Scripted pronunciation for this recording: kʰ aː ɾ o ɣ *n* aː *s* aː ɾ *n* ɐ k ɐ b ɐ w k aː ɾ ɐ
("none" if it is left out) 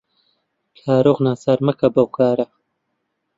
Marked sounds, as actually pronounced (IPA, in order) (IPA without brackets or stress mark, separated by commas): n, s, m